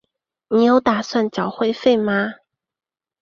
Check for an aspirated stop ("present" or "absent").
absent